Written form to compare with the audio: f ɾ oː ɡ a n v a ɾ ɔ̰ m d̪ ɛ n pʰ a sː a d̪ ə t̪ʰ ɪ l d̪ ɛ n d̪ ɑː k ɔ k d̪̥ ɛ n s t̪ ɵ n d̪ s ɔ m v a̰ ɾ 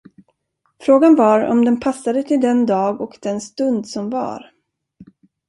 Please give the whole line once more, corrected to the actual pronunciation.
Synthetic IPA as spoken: f ɾ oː ɡ a n v a ɾ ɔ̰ m d̪ ɛ n pʰ a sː a d̪ ə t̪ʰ ɪ l d̪ ɛ n d̪ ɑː ɡ ɔ k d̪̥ ɛ n s t̪ ɵ n d̪ s ɔ m v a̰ ɾ